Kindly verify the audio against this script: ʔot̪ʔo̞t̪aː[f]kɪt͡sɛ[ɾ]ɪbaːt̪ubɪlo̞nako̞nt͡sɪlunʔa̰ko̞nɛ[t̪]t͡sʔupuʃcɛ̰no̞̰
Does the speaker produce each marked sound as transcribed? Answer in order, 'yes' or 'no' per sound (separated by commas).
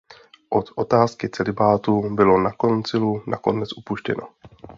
no, no, no